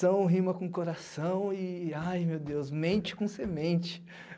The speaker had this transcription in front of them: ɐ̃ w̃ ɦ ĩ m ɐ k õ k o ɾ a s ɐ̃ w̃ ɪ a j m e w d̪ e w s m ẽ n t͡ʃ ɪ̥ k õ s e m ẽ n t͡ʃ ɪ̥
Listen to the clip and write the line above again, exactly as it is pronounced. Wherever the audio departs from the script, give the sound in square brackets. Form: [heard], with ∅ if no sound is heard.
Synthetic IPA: ɐ̃ w̃ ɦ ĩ m ɐ k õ k o ɾ a s ɐ̃ w̃ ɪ a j m e w d̪ e w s m ẽ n t͡ʃ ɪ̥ k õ s e m ẽ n t͡ʃ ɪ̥